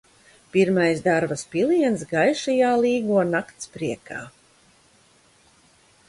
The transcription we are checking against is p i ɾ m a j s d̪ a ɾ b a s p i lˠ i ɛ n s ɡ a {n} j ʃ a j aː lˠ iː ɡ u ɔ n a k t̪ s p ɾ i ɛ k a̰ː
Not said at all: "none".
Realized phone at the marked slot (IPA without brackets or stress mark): none